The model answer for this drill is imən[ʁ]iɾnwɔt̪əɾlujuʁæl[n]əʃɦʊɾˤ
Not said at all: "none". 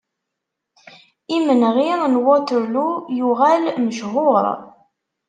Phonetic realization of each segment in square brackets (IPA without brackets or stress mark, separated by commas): ʁ, m